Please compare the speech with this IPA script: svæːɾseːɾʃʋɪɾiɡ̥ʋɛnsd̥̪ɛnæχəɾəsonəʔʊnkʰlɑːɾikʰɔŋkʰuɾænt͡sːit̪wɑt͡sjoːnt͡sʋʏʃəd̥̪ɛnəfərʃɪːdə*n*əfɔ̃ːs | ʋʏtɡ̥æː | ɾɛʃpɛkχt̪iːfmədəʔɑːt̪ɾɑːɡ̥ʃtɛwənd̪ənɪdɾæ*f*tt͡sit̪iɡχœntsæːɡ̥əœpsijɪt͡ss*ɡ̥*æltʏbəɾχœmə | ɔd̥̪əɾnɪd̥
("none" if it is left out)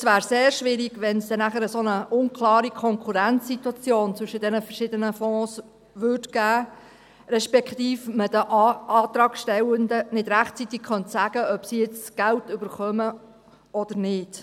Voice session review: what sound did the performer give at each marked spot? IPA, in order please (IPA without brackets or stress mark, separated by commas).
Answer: n, χ, ɡ̥